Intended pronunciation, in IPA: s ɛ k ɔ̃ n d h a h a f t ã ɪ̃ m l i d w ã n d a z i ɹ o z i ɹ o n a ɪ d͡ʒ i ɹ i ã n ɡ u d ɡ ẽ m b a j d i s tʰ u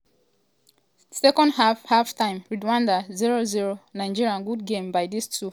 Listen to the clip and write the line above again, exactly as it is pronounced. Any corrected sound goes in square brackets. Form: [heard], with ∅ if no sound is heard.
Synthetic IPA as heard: s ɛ k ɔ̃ n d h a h a f t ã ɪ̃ m [ɹ] i d w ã n d a z i ɹ o z i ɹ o n a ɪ d͡ʒ i ɹ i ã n ɡ u d ɡ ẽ m b a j d i s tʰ u